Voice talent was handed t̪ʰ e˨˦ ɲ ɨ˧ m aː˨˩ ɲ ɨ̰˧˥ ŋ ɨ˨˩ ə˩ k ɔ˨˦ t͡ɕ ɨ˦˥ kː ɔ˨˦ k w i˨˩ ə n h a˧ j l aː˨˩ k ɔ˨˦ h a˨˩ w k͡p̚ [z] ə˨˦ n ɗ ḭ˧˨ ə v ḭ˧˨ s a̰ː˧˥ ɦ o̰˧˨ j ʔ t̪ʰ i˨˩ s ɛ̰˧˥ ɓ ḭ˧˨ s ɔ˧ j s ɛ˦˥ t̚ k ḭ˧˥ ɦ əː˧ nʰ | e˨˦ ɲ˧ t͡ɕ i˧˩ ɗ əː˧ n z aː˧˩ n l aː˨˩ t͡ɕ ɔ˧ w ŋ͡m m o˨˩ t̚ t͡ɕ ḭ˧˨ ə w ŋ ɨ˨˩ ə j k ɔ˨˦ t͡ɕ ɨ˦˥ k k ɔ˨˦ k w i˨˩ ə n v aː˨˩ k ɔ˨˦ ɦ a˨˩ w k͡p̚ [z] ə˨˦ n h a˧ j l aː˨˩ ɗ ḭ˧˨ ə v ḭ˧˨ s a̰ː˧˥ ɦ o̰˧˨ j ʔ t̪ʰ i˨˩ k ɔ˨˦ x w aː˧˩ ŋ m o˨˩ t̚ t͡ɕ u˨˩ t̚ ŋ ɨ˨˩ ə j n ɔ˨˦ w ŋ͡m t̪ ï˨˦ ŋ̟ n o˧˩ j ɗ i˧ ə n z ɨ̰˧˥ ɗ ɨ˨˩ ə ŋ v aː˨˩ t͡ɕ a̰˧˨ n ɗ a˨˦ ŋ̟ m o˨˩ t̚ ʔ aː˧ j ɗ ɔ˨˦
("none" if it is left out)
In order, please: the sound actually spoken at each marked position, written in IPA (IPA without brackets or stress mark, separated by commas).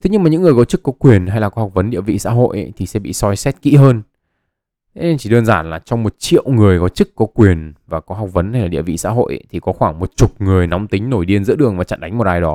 v, v